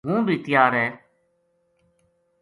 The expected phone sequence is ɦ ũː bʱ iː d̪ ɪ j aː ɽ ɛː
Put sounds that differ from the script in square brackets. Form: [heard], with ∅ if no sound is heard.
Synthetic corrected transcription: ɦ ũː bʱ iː [t̪] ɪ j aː [ɾ] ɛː

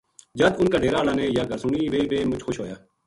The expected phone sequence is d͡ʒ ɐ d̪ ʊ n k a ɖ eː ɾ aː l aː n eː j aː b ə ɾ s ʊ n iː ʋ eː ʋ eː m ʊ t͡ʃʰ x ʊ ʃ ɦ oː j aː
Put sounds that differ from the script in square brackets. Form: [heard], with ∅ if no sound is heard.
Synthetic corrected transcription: d͡ʒ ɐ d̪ ʊ n k a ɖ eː ɾ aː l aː n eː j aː [ɡ] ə ɾ s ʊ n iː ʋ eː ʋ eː m ʊ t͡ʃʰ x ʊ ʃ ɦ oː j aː

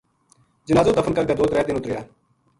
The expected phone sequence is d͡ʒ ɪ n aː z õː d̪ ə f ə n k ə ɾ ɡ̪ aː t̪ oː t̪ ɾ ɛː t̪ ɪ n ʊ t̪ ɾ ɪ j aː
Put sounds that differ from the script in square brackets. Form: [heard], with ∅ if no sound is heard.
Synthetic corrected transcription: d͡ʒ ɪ n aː z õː d̪ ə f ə n k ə ɾ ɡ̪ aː [d̪] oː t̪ ɾ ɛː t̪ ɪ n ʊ t̪ ɾ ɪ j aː

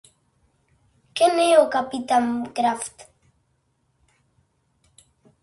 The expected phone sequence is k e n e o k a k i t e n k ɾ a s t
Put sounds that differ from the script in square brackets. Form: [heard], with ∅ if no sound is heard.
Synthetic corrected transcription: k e n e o k a [p] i t [a] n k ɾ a [f] t

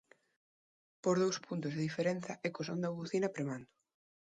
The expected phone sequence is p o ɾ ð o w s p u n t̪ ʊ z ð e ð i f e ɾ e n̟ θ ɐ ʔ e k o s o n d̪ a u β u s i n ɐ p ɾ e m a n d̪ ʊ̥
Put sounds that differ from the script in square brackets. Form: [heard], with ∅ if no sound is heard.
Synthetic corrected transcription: p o ɾ ð o w s p u n t̪ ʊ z ð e ð i f e ɾ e n̟ θ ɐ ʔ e k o s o n d̪ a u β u [θ] i n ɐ p ɾ e m a n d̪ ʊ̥

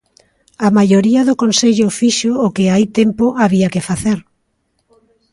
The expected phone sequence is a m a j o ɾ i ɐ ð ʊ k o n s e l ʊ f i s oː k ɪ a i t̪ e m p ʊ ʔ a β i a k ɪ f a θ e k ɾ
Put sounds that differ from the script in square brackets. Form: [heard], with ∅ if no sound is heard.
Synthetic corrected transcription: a m a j o ɾ i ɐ ð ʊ k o n s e [ʎ] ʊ f i [ʃ] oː k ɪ a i t̪ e m p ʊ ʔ a β i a k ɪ f a θ e [∅] ɾ

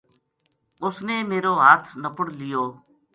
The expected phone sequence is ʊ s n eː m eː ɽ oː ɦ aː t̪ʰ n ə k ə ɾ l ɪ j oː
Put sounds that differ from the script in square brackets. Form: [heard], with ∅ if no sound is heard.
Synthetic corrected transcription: ʊ s n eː m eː [ɾ] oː ɦ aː t̪ʰ n ə [p] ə [ɽ] l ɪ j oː

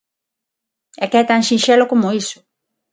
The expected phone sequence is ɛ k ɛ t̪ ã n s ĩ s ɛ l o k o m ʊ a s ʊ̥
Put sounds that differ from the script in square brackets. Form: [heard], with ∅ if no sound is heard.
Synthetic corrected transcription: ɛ k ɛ t̪ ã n [ʃ] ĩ [ʃ] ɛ l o k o m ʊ [i] s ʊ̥

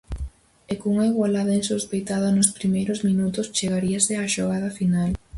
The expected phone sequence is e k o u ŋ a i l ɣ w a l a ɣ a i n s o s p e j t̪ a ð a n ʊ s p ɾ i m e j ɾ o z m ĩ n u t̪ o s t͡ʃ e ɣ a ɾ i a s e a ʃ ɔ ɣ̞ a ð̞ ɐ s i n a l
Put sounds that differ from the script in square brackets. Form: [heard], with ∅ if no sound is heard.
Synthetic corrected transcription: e k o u ŋ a i [∅] ɣ w a l a [ð] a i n s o s p e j t̪ a ð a n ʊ s p ɾ i m e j ɾ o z m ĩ n u t̪ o s t͡ʃ e ɣ a ɾ i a s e a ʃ [o] ɣ̞ a ð̞ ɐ [f] i n a l

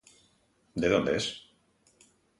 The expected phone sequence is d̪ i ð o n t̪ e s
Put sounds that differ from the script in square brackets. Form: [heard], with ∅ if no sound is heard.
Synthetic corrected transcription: d̪ [e] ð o n [d̪] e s

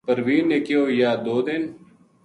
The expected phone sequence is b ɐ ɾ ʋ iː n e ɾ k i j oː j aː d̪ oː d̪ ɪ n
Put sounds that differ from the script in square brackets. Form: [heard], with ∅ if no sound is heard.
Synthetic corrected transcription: [p] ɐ ɾ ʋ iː n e [∅] k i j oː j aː d̪ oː d̪ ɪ n

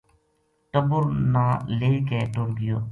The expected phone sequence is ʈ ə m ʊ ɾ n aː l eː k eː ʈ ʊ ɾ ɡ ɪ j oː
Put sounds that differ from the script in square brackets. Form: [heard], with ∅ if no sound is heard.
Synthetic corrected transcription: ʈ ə [b] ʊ ɾ n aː l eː k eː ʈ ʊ ɾ ɡ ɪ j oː

